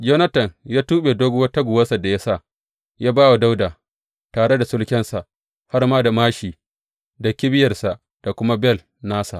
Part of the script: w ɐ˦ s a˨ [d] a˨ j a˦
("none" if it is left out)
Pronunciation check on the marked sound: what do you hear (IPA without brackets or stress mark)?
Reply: d